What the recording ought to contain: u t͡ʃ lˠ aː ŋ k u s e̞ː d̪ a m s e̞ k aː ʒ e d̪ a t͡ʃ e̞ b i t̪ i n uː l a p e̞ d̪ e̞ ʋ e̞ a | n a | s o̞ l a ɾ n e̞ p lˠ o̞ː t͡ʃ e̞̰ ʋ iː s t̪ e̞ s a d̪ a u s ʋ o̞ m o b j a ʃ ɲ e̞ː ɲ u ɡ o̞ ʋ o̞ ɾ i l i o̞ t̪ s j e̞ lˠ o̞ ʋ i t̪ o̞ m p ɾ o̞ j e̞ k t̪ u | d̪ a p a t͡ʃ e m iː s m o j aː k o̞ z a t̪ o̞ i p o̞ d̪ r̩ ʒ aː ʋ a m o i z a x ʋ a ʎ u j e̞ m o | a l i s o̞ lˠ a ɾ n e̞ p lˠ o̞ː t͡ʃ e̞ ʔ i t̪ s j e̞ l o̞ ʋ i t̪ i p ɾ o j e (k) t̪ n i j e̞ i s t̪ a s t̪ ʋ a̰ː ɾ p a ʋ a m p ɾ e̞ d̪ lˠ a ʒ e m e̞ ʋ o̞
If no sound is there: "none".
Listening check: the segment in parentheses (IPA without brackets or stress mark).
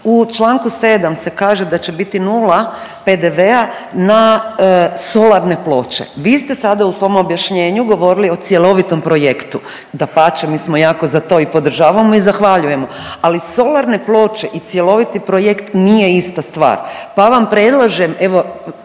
k